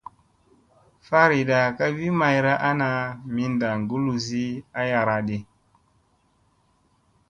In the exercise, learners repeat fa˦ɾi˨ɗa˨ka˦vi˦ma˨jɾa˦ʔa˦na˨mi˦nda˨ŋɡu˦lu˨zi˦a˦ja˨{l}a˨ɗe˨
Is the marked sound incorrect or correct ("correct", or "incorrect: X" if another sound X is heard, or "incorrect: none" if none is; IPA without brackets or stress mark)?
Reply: incorrect: ɾ